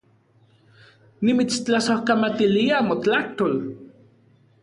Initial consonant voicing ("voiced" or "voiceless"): voiced